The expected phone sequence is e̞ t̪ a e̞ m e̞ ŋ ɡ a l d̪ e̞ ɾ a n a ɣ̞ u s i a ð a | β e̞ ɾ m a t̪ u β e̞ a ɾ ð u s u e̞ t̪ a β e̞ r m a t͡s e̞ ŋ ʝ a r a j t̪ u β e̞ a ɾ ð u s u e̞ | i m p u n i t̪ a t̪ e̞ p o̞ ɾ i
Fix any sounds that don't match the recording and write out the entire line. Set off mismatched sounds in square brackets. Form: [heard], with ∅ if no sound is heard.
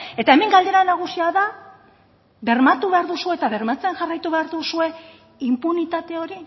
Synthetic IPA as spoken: e̞ t̪ a e̞ m e̞ ŋ ɡ a l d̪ e̞ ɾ a n a ɣ̞ u s i a ð a | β e̞ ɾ m a t̪ u β e̞ a ɾ ð u s u e̞ t̪ a β e̞ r m a t͡s e̞ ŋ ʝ a r a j t̪ u β e̞ a ɾ ð u s u e̞ | i m p u n i t̪ a t̪ e̞ [∅] o̞ ɾ i